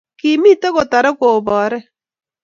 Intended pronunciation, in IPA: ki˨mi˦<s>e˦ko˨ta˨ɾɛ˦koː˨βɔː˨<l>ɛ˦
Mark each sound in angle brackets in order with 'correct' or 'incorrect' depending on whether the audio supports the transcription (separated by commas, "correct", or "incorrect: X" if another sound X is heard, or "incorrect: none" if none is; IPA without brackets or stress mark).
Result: incorrect: t, incorrect: ɾ